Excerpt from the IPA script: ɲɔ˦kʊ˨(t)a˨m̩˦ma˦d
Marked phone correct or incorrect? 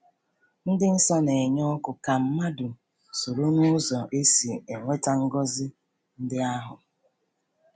incorrect